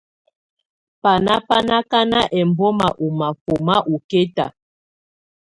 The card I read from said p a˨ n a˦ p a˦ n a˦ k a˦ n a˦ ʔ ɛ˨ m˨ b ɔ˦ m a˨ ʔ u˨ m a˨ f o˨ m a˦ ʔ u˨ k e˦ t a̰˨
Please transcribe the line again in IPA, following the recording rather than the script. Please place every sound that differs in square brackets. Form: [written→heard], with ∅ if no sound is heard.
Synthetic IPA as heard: p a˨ n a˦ p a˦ n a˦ k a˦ n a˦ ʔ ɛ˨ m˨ b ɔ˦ m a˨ ʔ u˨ m a˨ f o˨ m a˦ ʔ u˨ k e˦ t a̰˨